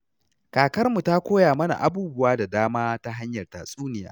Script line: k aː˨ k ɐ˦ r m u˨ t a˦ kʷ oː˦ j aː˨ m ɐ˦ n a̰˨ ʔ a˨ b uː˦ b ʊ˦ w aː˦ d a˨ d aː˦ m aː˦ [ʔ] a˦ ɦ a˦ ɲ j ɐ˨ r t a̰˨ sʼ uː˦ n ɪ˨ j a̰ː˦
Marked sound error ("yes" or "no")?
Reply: yes